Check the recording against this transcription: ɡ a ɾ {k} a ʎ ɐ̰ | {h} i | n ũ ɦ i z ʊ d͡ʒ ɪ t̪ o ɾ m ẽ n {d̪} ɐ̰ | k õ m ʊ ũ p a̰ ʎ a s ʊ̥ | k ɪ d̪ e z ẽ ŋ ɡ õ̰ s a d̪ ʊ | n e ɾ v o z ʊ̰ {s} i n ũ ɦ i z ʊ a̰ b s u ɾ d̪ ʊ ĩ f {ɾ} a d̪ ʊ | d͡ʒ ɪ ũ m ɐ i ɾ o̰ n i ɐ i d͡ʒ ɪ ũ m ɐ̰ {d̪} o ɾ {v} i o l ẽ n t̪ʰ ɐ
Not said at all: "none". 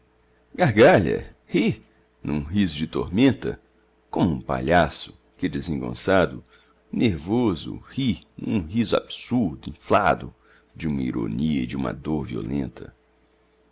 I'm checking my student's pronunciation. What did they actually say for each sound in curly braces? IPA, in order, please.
ɡ, h, t̪, h, l, d̪, v

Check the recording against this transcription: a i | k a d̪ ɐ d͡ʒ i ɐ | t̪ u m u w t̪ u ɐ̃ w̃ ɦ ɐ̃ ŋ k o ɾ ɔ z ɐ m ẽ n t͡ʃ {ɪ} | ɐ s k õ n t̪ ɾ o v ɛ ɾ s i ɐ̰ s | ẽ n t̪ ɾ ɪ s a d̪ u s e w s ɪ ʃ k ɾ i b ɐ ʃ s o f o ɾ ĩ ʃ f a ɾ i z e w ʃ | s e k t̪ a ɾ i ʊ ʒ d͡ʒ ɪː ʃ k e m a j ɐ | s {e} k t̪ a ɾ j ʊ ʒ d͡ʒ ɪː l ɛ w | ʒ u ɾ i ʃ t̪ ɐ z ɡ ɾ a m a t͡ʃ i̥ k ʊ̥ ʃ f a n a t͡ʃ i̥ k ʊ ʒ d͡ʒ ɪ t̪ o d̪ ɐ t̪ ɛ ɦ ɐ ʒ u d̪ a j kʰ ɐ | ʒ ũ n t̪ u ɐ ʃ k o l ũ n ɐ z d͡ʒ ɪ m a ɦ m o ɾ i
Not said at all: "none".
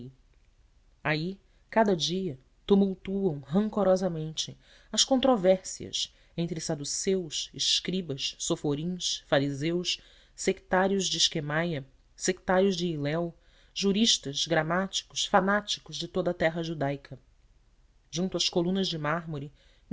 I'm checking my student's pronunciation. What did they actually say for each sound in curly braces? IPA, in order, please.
ɪ, e

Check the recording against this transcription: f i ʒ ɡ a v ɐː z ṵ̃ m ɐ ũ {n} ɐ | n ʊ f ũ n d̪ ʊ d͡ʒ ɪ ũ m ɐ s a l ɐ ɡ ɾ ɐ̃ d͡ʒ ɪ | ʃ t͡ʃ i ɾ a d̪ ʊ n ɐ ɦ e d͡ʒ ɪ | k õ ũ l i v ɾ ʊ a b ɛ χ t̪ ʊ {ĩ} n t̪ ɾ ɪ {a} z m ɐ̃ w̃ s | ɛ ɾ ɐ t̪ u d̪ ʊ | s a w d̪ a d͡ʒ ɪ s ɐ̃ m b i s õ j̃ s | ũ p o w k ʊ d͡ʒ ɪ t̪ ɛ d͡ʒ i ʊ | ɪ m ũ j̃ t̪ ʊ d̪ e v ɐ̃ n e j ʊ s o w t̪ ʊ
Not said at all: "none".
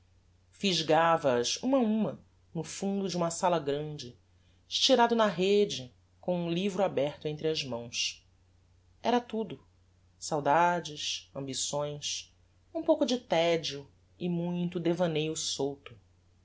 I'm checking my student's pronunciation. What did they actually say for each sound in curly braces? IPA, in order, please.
m, ẽ, ɐ

